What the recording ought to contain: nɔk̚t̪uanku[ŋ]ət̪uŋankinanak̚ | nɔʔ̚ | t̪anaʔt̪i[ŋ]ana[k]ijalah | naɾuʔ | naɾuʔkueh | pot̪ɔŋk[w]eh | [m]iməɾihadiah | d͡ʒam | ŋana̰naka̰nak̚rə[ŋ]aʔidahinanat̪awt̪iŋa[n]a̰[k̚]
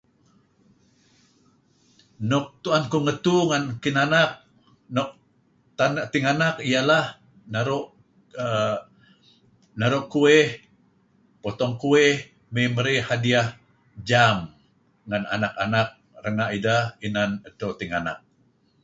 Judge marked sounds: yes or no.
yes, yes, yes, no, yes, yes, yes, yes

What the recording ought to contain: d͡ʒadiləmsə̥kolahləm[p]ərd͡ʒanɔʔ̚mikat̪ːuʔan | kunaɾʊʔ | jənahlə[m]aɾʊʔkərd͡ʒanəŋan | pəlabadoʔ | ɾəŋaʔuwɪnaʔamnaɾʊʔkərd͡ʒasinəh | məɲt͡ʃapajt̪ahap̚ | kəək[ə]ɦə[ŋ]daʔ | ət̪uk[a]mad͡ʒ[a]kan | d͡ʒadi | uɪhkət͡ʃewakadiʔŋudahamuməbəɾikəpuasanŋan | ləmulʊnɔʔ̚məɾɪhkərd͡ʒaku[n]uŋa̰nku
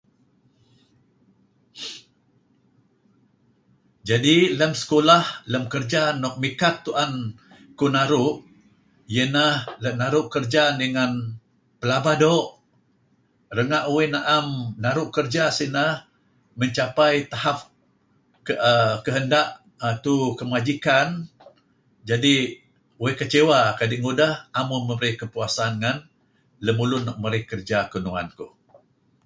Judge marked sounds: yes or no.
no, no, yes, no, no, no, yes

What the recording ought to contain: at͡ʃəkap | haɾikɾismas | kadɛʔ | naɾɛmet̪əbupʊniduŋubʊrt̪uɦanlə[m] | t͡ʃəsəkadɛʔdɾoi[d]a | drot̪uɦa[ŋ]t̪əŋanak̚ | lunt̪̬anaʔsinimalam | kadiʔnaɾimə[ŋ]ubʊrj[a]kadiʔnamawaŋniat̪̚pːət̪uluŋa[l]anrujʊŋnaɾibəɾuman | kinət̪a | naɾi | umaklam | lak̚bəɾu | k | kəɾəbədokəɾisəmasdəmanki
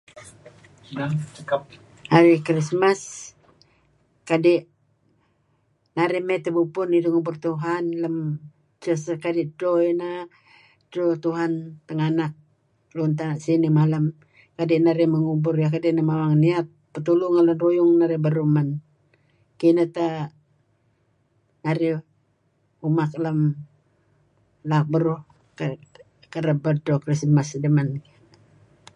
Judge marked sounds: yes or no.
yes, no, no, yes, yes, yes

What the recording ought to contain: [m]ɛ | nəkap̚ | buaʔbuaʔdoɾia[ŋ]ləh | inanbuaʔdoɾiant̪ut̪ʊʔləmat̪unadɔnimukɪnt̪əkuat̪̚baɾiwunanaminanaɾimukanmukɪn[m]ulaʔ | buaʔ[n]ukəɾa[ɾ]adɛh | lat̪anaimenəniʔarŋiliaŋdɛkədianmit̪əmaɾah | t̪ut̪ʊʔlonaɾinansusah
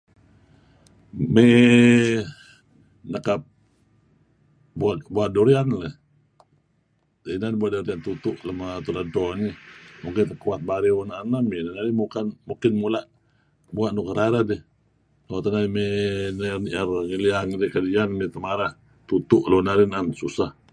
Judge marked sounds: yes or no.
yes, no, yes, yes, yes

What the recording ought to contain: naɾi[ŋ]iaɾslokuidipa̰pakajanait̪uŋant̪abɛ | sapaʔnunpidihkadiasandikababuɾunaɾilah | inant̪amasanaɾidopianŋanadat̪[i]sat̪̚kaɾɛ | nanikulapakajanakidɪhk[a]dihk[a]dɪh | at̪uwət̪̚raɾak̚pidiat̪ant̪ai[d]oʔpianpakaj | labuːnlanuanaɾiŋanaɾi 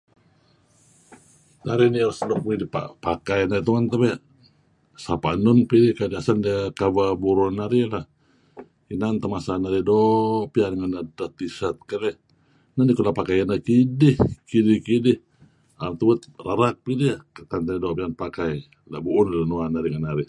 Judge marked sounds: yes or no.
no, yes, no, no, yes

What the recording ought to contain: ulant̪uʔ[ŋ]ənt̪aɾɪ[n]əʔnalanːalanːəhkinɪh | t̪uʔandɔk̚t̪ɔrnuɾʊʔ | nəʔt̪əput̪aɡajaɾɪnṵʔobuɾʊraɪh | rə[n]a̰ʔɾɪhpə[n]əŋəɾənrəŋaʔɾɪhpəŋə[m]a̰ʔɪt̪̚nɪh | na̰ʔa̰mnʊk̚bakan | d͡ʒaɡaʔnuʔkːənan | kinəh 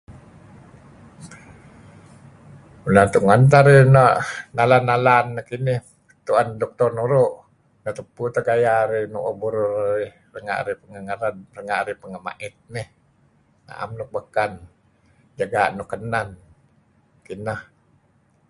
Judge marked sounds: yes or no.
yes, yes, no, no, yes

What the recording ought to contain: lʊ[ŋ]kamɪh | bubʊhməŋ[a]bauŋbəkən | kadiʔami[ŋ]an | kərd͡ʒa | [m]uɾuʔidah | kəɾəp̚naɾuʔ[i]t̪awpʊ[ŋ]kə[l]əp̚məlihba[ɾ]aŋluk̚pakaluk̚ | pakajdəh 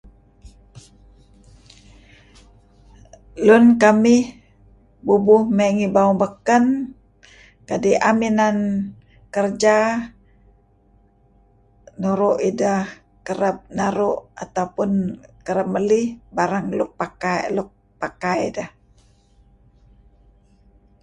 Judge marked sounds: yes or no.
no, no, no, no, no, no, no, yes

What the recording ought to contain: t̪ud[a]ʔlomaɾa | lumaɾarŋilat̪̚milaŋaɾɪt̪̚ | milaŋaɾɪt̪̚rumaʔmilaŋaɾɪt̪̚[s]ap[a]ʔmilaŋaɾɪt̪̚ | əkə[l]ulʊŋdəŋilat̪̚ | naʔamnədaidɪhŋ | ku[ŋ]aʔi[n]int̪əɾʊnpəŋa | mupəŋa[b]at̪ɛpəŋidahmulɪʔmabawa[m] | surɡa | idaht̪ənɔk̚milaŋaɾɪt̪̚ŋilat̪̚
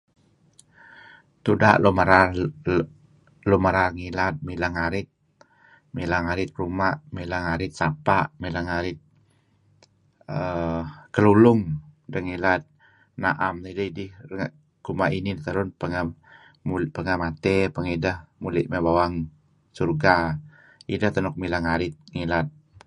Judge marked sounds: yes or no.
yes, yes, yes, yes, no, yes, no, no

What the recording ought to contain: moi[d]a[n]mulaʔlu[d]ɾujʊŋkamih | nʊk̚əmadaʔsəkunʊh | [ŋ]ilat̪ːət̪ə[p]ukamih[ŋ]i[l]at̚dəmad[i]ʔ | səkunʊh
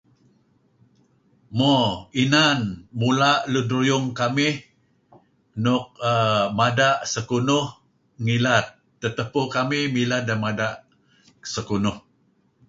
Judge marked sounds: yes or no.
no, yes, yes, yes, yes, no, yes, no

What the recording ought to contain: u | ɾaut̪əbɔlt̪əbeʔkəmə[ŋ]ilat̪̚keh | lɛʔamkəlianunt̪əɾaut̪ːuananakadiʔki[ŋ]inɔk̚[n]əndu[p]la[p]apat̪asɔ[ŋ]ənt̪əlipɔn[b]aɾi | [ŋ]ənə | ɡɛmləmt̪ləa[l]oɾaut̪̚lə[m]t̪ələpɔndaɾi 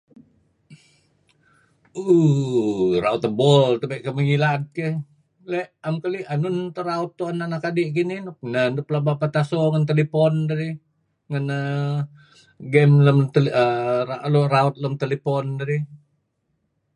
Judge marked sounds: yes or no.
yes, no, yes, yes, no, yes, no, yes, yes, yes

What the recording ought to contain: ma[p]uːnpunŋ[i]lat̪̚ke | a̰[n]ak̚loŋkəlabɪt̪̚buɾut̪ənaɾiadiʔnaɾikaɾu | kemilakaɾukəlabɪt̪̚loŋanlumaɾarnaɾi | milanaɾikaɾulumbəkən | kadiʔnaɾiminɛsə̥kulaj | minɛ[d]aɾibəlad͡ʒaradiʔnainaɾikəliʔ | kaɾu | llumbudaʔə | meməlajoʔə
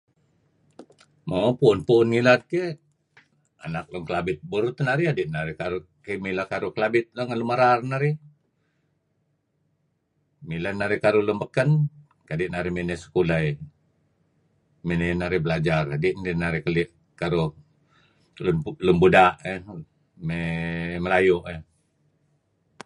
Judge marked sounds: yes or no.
yes, yes, yes, no

